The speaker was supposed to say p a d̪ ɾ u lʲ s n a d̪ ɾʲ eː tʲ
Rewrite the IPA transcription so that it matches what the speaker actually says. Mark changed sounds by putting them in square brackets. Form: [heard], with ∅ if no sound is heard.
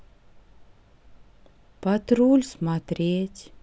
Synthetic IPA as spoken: p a [t̪] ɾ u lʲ s [m] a [t̪] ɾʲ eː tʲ